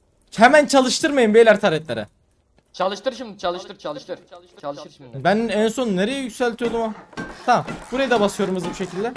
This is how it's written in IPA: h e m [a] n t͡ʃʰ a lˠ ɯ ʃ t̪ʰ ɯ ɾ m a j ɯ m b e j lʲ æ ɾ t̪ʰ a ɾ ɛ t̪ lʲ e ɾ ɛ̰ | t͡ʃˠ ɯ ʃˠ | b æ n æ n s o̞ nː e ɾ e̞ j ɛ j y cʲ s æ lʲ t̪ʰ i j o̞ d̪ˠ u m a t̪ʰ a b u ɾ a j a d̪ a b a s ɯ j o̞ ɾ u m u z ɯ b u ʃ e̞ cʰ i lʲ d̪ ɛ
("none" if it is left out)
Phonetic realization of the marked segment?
æ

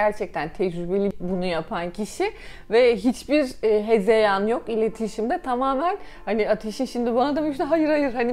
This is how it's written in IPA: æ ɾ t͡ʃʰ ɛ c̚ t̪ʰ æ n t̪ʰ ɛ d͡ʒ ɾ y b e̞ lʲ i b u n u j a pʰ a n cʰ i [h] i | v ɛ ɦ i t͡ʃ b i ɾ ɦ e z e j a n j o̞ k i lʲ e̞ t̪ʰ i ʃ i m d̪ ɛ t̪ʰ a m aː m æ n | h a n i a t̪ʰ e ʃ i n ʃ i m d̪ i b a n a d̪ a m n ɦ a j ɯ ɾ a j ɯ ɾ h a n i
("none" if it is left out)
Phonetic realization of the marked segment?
ʃ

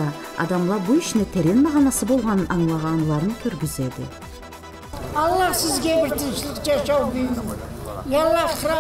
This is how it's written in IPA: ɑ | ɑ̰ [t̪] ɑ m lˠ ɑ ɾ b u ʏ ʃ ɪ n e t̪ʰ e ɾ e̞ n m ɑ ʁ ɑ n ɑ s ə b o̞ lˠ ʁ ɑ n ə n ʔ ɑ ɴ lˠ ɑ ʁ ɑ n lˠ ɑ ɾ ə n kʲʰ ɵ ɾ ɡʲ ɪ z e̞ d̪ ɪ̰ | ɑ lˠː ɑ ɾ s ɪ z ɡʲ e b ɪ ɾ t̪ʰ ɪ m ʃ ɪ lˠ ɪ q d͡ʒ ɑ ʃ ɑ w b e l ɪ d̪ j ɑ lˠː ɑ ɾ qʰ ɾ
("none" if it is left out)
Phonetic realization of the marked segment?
d̪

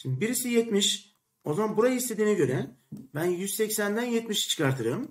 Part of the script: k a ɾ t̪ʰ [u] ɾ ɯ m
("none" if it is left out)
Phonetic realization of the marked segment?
ɯ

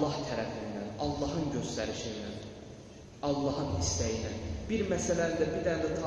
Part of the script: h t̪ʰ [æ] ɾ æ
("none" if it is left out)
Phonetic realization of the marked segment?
æ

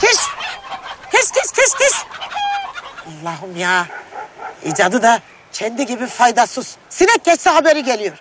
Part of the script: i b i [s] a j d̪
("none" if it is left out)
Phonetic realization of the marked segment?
f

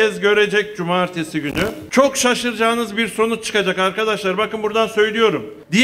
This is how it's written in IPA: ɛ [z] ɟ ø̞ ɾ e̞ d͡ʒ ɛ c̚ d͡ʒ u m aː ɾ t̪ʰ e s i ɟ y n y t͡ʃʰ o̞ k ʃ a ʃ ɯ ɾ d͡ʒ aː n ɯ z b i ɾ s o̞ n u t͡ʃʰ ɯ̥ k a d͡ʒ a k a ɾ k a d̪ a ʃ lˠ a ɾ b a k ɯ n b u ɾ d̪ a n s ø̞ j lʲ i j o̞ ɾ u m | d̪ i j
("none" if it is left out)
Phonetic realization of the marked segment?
z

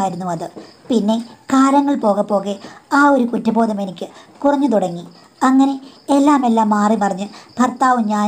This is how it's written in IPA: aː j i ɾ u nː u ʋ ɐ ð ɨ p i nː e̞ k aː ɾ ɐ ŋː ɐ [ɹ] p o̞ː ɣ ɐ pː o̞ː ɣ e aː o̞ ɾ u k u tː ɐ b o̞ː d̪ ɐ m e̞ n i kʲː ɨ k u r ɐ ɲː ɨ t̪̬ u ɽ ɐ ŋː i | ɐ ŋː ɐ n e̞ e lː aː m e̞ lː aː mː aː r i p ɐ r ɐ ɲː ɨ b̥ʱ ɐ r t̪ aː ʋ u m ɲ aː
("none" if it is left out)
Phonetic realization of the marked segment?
ɭ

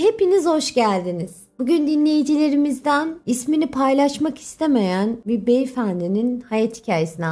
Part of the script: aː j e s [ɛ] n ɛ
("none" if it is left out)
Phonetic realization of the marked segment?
i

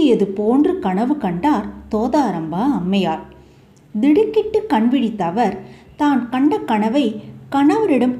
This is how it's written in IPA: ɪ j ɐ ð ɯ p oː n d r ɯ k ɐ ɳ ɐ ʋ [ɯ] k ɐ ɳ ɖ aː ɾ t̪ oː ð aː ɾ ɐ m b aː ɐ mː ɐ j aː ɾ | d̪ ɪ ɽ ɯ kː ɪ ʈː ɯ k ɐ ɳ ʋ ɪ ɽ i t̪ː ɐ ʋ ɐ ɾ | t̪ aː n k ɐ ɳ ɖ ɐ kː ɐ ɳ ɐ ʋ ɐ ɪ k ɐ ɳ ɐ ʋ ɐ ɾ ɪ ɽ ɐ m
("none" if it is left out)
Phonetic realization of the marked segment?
ɯ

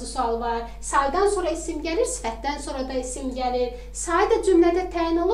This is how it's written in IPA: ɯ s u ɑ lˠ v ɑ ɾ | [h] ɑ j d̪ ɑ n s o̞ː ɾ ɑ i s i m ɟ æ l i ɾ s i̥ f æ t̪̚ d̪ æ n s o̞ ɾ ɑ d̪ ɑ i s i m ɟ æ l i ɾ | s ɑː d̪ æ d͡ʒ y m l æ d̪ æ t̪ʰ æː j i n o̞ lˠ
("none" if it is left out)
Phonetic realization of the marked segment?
s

